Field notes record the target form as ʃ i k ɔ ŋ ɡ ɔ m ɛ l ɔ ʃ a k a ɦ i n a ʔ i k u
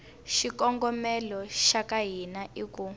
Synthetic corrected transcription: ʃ i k ɔ ŋ ɡ ɔ m ɛ l ɔ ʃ a k a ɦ i n a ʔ i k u